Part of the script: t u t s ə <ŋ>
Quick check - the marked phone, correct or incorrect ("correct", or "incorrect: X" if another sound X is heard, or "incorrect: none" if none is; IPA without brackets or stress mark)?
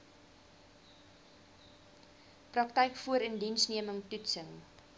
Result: correct